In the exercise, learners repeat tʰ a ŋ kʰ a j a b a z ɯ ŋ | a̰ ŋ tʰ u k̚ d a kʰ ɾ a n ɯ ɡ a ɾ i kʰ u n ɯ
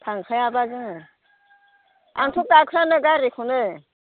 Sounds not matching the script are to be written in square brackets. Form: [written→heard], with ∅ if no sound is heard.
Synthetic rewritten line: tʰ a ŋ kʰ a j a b a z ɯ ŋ | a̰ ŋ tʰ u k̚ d a kʰ ɾ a n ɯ ɡ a ɾ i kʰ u n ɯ